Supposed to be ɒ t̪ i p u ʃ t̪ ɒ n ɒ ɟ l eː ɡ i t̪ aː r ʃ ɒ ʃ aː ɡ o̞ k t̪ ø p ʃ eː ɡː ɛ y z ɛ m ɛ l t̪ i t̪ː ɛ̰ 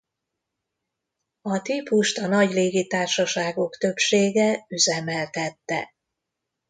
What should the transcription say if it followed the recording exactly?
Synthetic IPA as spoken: ɒ t̪ i p u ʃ t̪ ɒ n ɒ ɟ l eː ɡ i t̪ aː r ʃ ɒ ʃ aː ɡ o̞ k t̪ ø p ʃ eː ɡ ɛ y z ɛ m ɛ l t̪ ɛ t̪ː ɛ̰